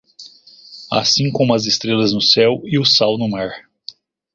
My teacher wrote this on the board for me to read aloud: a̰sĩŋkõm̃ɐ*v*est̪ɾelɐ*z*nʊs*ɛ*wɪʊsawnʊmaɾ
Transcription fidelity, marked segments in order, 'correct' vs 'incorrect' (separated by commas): incorrect, correct, correct